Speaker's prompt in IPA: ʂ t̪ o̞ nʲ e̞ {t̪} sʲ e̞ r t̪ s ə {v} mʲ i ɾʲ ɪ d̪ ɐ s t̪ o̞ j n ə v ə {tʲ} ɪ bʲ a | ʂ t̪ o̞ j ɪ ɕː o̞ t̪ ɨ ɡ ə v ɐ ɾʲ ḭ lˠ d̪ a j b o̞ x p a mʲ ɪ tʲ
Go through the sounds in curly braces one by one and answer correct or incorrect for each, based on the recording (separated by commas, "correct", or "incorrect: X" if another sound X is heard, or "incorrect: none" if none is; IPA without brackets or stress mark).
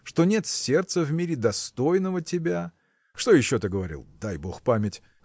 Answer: correct, correct, correct